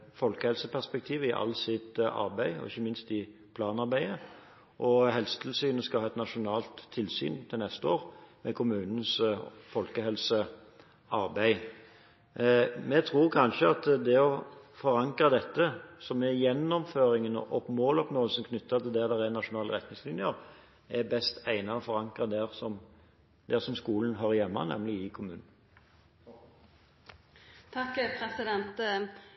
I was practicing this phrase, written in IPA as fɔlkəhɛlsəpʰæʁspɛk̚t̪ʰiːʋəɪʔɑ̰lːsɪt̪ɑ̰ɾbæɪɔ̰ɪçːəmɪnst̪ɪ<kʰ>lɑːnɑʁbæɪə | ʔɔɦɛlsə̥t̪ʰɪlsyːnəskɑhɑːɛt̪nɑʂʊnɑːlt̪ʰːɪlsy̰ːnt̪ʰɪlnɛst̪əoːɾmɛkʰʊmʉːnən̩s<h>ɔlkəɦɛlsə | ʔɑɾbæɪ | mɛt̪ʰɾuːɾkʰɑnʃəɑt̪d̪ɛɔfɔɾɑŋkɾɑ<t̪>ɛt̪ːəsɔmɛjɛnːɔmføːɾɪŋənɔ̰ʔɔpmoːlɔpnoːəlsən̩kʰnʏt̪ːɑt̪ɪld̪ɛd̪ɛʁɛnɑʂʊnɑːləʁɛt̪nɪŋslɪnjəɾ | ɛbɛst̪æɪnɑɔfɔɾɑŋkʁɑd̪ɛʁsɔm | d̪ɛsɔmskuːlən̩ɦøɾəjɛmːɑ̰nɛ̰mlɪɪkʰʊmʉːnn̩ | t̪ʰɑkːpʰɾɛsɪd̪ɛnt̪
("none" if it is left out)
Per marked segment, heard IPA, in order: pʰ, f, d̪

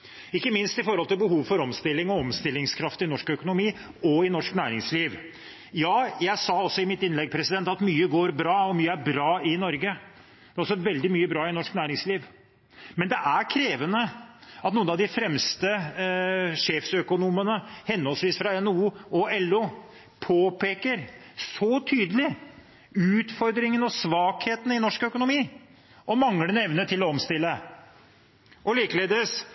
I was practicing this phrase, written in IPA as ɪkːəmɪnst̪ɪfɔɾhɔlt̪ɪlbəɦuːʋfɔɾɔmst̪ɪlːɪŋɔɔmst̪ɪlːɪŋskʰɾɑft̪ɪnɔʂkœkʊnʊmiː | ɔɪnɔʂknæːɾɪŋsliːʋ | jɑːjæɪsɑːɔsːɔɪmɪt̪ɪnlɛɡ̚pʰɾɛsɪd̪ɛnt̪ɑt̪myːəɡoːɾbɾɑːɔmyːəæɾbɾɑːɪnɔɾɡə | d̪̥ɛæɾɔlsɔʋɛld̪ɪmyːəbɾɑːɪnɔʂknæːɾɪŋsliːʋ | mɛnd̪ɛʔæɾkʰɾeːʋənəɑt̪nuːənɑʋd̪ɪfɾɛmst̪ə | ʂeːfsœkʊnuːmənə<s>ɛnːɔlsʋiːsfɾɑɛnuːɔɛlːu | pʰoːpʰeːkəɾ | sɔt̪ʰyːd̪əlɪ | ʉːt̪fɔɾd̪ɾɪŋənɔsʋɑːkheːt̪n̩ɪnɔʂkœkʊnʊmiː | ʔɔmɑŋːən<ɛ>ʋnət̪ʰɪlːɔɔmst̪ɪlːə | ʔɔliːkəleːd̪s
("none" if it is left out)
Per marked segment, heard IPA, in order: h, ɛ

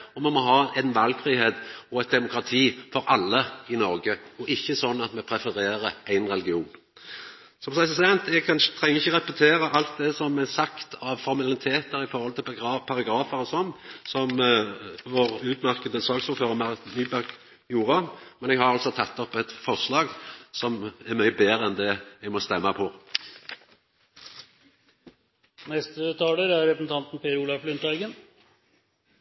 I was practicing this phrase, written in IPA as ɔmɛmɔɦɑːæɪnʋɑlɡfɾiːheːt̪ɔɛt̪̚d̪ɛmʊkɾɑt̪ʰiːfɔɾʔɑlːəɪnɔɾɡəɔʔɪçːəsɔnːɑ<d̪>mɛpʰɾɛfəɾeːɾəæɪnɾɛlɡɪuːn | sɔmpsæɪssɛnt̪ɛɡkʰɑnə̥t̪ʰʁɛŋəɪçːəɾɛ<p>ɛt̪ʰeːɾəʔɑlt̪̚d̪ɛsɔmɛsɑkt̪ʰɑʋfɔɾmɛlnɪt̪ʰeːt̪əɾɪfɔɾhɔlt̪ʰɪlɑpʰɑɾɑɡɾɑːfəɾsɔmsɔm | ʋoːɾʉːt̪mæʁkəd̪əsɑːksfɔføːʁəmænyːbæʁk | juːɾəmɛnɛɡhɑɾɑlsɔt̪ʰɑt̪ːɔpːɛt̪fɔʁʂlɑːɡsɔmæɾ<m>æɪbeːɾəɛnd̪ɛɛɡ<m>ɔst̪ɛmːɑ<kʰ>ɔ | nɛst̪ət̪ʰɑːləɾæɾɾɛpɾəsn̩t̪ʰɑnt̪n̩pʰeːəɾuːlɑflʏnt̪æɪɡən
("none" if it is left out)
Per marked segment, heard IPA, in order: t̪, p, m, m, pʰ

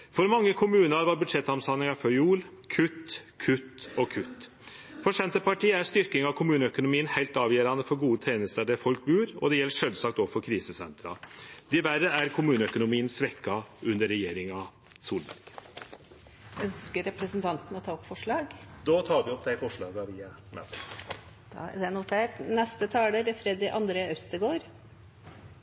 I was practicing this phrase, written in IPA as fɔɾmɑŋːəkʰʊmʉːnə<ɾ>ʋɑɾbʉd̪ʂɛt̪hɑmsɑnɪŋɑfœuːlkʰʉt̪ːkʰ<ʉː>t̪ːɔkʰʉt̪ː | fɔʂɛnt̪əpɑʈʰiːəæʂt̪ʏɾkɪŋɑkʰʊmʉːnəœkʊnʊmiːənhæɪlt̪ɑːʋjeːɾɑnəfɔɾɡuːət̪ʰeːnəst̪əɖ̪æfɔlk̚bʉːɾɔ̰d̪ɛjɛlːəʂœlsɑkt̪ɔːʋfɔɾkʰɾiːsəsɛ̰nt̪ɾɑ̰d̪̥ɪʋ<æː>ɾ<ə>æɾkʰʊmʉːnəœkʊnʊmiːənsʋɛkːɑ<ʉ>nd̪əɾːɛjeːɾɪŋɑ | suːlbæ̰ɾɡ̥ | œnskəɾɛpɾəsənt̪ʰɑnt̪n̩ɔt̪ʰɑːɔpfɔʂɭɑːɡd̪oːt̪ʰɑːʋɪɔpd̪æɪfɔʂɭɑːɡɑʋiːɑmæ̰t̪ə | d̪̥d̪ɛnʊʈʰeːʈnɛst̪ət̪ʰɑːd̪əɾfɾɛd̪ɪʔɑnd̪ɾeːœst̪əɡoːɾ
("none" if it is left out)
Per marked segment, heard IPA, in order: ɾ, ʉ, æ, ə, ʉ

